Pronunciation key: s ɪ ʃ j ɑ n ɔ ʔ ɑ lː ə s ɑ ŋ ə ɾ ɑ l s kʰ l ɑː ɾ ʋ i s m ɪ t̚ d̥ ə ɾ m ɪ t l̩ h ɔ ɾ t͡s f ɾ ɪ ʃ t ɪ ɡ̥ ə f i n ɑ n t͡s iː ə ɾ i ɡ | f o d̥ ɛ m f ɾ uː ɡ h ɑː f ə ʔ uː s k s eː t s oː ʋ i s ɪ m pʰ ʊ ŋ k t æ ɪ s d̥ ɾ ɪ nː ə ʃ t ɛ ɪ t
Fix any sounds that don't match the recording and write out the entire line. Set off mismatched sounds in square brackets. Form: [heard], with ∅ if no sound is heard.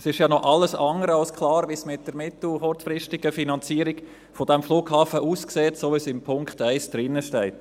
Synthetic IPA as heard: s ɪ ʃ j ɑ n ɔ ʔ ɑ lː ə s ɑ ŋ ə ɾ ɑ l s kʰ l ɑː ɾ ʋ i s m ɪ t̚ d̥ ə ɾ m ɪ t l̩ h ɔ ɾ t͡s f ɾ ɪ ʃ t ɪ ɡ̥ ə f i n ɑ n t͡s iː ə ɾ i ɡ | f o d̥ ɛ m f [l] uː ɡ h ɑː f ə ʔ uː s k s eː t s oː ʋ i s ɪ m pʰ ʊ ŋ k t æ ɪ s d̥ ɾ ɪ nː ə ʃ t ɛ ɪ t

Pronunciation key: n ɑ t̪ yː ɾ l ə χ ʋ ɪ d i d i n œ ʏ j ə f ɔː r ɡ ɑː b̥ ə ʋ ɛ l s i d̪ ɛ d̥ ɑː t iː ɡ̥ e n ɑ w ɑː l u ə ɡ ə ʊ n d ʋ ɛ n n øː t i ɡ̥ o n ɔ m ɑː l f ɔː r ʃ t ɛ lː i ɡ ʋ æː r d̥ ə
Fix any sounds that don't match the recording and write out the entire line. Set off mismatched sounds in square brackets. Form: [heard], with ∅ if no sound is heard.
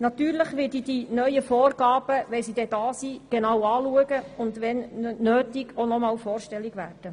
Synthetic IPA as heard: n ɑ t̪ yː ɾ l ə χ ʋ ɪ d i d i n œ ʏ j ə f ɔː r ɡ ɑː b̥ ə ʋ ɛ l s i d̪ ɛ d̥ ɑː [s] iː ɡ̥ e n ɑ w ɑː l u ə ɡ ə ʊ n d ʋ ɛ n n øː t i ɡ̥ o n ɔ m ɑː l f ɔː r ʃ t ɛ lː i ɡ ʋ æː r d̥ ə

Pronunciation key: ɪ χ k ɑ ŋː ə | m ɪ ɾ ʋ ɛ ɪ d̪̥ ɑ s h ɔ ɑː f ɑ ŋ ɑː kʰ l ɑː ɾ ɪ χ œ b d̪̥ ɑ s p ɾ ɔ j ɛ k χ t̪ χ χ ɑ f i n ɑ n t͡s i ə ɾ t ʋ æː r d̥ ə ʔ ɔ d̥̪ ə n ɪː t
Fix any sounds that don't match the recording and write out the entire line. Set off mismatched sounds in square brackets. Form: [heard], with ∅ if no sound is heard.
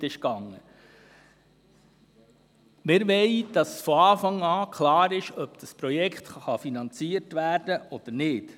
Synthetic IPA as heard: ɪ [ʃ] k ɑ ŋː ə | m ɪ ɾ ʋ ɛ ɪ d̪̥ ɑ s [f] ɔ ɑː f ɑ ŋ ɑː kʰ l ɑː ɾ ɪ [ʃ] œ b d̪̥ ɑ s p ɾ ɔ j ɛ k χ t̪ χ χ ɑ f i n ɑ n t͡s i ə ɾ t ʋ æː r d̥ ə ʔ ɔ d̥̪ ə n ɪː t

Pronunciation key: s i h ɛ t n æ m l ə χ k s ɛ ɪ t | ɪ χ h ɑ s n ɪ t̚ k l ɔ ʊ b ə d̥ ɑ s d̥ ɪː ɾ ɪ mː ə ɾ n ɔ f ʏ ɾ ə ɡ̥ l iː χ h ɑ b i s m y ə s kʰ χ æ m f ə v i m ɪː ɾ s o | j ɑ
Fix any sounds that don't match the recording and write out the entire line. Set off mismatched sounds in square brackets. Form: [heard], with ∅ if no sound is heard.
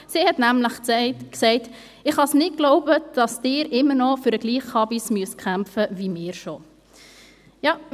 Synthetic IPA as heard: s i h ɛ t n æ m l ə χ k s ɛ ɪ t | ɪ χ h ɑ s n ɪ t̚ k l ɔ ʊ b ə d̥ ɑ s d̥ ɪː ɾ ɪ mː ə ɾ n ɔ f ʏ ɾ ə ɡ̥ l iː χ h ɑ b i s m y ə s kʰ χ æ m f ə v i m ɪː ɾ [ʃ] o | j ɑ

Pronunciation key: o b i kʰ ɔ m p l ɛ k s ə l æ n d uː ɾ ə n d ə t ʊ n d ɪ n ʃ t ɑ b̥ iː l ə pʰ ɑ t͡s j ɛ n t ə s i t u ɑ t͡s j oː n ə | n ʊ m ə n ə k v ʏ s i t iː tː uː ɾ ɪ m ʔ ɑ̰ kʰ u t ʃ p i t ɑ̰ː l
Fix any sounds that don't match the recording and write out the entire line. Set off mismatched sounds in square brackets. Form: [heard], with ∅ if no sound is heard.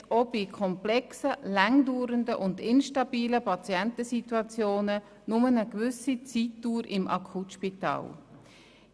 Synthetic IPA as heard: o b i kʰ ɔ m p l ɛ k s ə l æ [ŋ] d uː ɾ ə n d ə [ʔ] ʊ n d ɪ n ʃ t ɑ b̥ iː l ə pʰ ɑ t͡s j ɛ n t ə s i t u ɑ t͡s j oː n ə | n ʊ m ə n ə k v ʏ s i [t͡s] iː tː uː ɾ ɪ m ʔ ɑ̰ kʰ u t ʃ p i t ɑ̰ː l

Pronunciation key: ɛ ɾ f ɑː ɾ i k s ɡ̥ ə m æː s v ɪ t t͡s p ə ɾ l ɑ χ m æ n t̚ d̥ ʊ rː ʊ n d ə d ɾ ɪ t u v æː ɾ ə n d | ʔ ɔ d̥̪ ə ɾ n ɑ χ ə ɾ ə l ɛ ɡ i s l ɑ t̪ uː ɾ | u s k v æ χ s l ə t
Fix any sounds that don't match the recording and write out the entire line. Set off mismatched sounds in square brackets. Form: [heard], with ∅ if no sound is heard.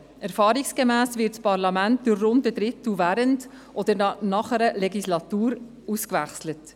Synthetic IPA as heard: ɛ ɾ f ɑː ɾ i k s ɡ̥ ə m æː s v ɪ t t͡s p [ɑ] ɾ l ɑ [∅] m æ n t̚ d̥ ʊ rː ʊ n d ə d ɾ ɪ t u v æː ɾ ə n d | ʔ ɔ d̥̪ ə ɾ n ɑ χ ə ɾ ə l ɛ ɡ i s l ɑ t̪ uː ɾ | u s k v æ χ s l ə t

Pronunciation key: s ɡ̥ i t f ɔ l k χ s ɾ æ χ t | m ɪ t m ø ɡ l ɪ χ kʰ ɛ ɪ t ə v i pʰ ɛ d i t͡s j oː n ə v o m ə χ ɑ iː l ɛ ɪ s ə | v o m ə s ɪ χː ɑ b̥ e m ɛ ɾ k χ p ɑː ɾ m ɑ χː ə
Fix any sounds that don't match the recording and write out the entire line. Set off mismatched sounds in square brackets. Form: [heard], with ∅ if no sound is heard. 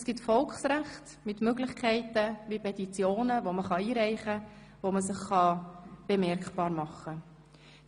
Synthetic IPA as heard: s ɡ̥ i t f ɔ l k χ s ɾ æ χ t | m ɪ t m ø ɡ l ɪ χ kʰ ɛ ɪ t ə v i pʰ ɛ [t] i t͡s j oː n ə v o m ə χ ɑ iː [ɾ] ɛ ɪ [χ] ə | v o m ə s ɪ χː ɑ b̥ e m ɛ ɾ k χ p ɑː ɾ m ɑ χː ə

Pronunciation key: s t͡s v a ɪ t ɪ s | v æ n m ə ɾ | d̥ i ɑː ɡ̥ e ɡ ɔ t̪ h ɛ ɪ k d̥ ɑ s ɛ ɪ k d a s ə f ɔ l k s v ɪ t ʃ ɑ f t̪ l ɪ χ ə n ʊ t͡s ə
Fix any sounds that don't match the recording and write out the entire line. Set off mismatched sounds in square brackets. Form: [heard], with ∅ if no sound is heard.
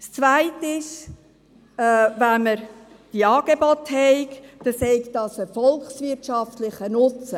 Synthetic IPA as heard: s t͡s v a ɪ t ɪ [ʃ] | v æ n m ə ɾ | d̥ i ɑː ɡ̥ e [b] ɔ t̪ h ɛ ɪ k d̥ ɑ s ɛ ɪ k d [ɑ] s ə f ɔ l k s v ɪ t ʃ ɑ f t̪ l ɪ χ ə n ʊ t͡s ə

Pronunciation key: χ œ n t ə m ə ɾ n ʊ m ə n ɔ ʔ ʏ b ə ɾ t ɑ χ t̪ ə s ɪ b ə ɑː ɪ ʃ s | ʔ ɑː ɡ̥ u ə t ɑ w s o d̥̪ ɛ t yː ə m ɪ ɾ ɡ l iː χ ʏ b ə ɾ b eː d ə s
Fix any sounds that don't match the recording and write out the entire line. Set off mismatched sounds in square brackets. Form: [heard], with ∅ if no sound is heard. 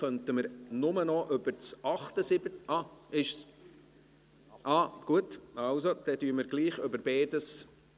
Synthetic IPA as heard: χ œ n t ə m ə ɾ n ʊ m ə n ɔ ʔ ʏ b ə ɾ [t͡s] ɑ χ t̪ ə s ɪ b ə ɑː ɪ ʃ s | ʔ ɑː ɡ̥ u ə t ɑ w s o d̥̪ ɛ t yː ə m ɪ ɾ ɡ l iː χ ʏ b ə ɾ b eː d ə s

